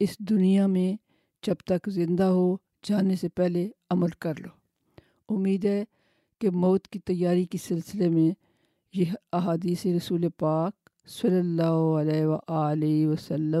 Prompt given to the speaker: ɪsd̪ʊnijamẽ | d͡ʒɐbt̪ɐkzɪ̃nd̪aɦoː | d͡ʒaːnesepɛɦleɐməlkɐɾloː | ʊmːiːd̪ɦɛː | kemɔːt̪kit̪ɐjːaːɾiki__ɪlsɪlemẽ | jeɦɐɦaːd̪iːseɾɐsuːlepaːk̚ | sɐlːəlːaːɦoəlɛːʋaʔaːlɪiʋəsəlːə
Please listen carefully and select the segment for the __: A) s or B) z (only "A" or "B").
A